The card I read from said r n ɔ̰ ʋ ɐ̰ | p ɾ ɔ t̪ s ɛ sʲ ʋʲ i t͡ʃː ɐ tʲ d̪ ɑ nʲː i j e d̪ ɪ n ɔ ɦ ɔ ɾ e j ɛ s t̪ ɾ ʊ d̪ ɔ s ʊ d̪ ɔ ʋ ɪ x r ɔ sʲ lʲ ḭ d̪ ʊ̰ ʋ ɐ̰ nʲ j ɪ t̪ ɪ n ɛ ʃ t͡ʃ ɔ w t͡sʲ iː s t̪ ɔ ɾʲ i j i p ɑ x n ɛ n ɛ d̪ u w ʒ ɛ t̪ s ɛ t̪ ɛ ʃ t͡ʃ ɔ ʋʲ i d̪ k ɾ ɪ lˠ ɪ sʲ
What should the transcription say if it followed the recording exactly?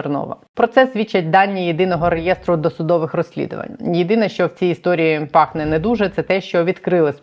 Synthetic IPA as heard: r n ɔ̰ ʋ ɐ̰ | p ɾ ɔ t̪ s ɛ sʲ ʋʲ i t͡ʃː ɐ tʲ d̪ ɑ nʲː i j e d̪ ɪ n ɔ ɦ ɔ ɾ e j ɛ s t̪ ɾ ʊ d̪ ɔ s ʊ d̪ ɔ ʋ ɪ x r ɔ sʲ lʲ ḭ d̪ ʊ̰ ʋ ɐ̰ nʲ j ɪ d̪ ɪ n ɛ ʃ t͡ʃ ɔ w t͡sʲ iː s t̪ ɔ ɾʲ i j i p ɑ x n ɛ n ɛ d̪ u ʒ ɛ t̪ s ɛ t̪ ɛ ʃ t͡ʃ ɔ ʋʲ i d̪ k ɾ ɪ lˠ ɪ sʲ